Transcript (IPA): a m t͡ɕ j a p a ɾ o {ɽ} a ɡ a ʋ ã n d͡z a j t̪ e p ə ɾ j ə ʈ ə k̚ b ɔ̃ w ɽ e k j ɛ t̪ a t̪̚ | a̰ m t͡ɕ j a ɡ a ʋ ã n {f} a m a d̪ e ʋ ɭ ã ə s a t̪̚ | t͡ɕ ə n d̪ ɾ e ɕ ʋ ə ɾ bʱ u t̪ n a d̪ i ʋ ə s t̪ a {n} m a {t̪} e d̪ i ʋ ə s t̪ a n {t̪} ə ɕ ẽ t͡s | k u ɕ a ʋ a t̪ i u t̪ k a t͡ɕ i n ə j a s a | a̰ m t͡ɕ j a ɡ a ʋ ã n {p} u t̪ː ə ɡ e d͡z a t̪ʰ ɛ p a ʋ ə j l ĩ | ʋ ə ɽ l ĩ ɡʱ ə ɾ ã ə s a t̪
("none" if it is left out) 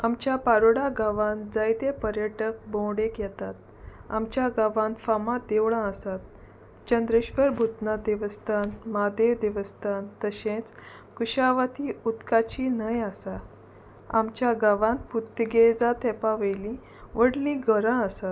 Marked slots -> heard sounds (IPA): ɽ, f, n, d̪, t̪, p

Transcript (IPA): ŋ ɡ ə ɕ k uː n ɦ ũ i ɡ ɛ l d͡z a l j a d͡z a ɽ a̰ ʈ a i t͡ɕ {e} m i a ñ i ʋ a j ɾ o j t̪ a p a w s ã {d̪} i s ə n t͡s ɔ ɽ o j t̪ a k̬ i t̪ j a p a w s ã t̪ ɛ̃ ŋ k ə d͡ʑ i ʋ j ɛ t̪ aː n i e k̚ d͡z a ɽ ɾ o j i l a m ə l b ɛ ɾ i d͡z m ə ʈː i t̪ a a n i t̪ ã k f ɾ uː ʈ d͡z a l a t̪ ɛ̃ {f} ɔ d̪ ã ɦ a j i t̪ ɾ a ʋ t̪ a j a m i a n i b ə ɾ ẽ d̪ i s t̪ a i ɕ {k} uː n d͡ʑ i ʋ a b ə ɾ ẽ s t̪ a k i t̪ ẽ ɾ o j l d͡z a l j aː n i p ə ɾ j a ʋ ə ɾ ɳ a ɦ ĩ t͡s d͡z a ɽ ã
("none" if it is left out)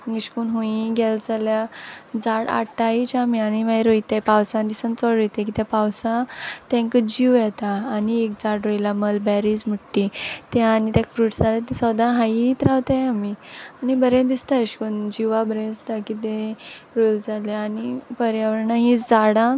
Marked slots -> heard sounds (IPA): a, d̪, s, k

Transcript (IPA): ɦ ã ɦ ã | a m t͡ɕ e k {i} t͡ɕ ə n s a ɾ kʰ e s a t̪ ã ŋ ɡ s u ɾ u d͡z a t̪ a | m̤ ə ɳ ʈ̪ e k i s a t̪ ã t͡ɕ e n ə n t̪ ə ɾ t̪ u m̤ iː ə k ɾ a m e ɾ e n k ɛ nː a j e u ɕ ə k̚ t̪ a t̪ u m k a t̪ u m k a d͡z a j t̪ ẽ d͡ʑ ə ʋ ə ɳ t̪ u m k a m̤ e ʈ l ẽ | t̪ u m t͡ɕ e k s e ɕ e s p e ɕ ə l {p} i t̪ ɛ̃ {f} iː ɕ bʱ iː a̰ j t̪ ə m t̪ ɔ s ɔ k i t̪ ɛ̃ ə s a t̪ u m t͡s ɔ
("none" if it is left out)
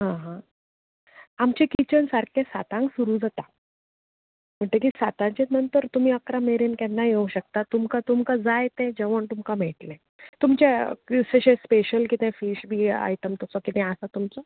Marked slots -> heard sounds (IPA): i, k, f

